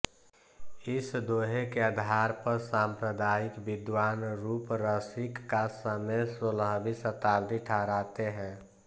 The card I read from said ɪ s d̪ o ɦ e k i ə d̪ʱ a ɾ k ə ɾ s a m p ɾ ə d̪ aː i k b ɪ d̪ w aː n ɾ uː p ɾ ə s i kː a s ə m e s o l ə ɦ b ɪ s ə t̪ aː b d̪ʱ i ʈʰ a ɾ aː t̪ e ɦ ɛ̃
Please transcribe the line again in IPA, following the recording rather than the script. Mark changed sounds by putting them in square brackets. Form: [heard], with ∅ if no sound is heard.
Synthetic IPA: ɪ s d̪ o ɦ e k [e] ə d̪ʱ a ɾ [p] ə ɾ s a m p ɾ ə d̪ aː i k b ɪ d̪ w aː n ɾ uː p ɾ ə s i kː a s ə m e s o l ə ɦ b [i] s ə t̪ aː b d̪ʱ i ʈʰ a ɾ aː t̪ e ɦ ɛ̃